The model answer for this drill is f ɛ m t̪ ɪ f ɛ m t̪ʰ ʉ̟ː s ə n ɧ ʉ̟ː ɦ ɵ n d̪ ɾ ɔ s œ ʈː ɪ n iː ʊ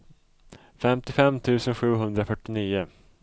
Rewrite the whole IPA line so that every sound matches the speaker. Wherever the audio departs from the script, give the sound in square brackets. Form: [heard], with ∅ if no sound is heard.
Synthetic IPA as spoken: f ɛ m t̪ ɪ f ɛ m t̪ʰ ʉ̟ː s ə n ɧ ʉ̟ː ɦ ɵ n d̪ ɾ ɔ [f] œ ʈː ɪ n iː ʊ